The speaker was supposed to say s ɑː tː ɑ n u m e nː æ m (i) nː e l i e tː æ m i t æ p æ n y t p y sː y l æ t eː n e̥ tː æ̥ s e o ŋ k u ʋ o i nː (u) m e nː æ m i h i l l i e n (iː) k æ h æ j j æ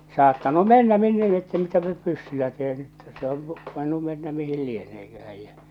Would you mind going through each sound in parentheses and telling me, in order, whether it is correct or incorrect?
correct, correct, incorrect: eː

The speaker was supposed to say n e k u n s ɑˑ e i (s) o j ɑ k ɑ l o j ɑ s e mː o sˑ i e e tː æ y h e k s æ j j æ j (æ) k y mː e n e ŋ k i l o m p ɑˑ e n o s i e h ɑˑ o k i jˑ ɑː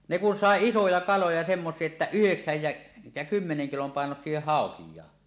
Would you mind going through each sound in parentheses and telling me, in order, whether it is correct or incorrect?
correct, correct

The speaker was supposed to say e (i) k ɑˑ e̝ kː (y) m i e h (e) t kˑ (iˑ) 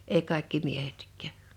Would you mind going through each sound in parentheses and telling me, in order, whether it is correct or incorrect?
correct, incorrect: i, correct, incorrect: æˑ

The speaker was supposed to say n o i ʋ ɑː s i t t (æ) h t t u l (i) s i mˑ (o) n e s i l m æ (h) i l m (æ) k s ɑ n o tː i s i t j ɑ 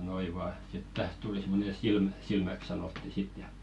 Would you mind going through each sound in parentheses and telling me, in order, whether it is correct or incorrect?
correct, correct, correct, incorrect: s, correct

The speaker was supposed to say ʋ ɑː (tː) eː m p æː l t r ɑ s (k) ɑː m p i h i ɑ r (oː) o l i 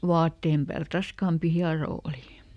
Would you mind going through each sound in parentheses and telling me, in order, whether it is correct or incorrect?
correct, correct, correct

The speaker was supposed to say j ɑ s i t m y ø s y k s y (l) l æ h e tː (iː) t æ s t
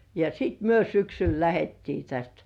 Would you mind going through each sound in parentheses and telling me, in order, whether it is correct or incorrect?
correct, correct

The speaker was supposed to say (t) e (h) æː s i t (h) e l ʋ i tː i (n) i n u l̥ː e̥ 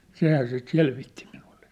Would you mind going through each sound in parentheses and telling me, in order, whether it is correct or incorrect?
incorrect: s, correct, incorrect: s, incorrect: m

